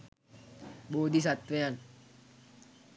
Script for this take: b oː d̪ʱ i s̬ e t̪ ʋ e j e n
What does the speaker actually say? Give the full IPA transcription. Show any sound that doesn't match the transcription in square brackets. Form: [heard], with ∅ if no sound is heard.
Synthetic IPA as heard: b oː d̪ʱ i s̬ [a] t̪ ʋ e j [a] n

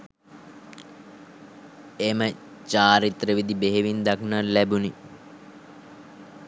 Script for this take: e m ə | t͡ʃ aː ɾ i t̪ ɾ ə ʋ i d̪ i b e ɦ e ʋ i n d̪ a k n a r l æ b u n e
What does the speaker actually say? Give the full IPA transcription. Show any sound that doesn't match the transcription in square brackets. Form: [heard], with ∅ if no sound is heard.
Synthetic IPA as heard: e m ə | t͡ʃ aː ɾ i t̪ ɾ ə ʋ i d̪ i b e ɦ e ʋ i n d̪ a k n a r l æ b u n [i]

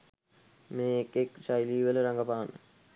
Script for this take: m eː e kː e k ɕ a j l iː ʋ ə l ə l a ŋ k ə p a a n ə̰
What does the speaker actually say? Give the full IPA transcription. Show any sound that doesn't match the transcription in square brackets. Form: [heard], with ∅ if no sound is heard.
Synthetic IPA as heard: m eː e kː e k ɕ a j l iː ʋ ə l ə [ɾ] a ŋ [ɡ] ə p a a n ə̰

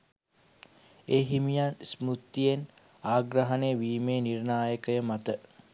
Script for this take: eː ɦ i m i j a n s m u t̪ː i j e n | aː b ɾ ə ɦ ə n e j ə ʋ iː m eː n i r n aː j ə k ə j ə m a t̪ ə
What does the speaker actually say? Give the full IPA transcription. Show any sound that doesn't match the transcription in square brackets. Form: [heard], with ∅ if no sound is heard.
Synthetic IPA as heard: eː ɦ i m i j a n s m u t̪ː i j e n | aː [ɡ] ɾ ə ɦ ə n e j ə ʋ iː m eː n i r n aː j ə k ə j ə m a t̪ ə

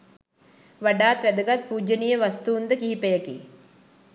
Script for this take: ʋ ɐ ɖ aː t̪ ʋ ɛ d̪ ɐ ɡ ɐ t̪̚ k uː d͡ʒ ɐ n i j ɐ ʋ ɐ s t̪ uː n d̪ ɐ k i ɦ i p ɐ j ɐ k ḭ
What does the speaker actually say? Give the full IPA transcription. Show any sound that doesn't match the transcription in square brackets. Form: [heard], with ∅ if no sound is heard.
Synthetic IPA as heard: ʋ ɐ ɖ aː t̪ ʋ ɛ d̪ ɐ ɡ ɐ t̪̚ [p] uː d͡ʒ ɐ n i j ɐ ʋ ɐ s t̪ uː n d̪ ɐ k i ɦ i p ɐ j ɐ k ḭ

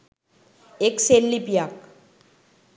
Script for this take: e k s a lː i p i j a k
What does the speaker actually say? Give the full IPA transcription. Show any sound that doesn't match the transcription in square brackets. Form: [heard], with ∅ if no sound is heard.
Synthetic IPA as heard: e k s [e] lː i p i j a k

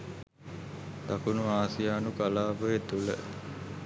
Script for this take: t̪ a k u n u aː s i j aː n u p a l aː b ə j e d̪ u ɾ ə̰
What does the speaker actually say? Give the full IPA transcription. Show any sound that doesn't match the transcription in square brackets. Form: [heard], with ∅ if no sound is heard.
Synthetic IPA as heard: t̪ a k u n u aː s i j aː n u [k] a l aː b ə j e [t̪] u [l] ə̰

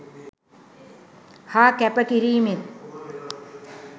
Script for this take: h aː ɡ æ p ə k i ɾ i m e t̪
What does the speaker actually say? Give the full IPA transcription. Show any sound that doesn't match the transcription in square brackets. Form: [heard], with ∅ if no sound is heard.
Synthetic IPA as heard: h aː [k] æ p ə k i ɾ [iː] m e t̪

